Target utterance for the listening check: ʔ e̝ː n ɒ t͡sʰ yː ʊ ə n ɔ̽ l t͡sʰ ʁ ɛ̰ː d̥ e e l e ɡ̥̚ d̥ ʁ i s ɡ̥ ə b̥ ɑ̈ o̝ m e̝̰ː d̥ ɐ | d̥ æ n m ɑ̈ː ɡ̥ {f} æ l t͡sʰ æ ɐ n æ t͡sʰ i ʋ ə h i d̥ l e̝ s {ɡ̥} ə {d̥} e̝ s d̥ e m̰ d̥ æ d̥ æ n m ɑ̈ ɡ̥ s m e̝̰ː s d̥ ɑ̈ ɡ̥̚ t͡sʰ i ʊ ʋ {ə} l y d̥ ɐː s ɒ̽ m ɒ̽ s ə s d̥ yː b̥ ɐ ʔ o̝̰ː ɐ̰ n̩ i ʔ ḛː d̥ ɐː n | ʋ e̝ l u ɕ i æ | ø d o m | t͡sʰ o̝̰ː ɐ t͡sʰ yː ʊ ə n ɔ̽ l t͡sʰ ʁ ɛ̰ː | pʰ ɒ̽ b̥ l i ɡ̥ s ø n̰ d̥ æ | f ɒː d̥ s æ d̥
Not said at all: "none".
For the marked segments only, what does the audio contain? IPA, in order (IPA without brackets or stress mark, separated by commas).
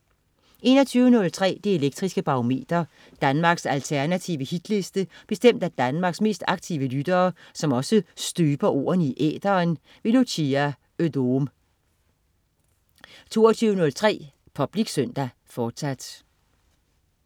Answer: s, d̥, b̥, ə